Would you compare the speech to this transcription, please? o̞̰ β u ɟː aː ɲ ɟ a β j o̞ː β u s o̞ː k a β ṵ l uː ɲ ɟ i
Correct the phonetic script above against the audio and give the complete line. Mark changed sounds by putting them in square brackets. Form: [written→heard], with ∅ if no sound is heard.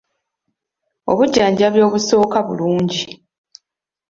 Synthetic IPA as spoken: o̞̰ β u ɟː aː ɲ ɟ a β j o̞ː β u s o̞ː k a β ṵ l uː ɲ ɟ i